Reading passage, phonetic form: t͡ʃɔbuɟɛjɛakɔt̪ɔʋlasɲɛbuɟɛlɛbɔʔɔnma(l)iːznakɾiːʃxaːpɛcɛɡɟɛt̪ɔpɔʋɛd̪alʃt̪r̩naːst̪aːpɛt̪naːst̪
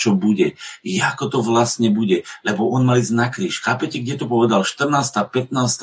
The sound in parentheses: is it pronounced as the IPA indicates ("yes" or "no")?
yes